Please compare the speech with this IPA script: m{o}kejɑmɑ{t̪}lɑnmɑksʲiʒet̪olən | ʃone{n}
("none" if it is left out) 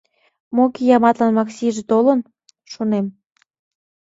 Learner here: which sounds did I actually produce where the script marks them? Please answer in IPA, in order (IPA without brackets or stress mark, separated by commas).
o, t̪, m